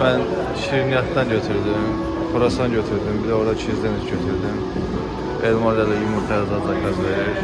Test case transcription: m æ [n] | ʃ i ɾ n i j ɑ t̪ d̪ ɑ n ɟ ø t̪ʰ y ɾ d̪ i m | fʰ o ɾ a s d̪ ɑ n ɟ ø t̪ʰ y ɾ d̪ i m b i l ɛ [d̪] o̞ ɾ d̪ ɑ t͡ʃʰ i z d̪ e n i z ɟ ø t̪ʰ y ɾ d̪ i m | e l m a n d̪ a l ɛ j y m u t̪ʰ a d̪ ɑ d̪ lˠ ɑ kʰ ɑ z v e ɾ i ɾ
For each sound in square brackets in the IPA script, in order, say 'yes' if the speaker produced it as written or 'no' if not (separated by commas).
yes, no